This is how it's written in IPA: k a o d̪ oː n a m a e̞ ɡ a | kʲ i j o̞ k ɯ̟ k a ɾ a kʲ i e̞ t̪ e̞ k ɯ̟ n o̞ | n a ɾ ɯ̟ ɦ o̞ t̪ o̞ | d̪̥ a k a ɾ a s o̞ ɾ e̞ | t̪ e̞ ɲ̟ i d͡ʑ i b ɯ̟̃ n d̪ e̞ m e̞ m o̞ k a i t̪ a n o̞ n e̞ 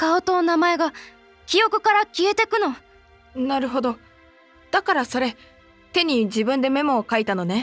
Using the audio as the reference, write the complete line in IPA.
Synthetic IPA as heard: k a o t̪ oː n a m a e̞ ɡ a | kʲ i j o̞ k ɯ̟ k a ɾ a kʲ i e̞ t̪ e̞ k ɯ̟ n o̞ | n a ɾ ɯ̟ ɦ o̞ d̪ o̞ | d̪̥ a k a ɾ a s o̞ ɾ e̞ | t̪ e̞ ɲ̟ i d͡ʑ i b ɯ̟̃ n d̪ e̞ m e̞ m o̞ k a i t̪ a n o̞ n e̞